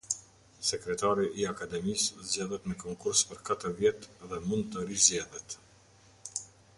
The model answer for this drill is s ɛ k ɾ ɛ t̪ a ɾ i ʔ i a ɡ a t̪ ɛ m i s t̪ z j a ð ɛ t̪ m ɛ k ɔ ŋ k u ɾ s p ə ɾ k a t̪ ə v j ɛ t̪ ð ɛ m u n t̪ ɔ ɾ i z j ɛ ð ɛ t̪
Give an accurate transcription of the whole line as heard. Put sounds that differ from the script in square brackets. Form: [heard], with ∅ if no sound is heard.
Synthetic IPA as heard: s ɛ k ɾ ɛ t̪ a ɾ i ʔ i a [k] a [d̪] ɛ m i s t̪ z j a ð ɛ t̪ m ɛ k ɔ ŋ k u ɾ s p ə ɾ k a t̪ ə v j ɛ t̪ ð ɛ m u n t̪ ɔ ɾ i z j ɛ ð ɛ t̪